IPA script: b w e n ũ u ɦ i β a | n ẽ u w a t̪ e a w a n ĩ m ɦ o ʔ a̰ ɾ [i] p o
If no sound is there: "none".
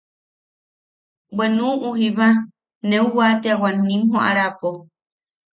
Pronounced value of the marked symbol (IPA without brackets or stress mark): a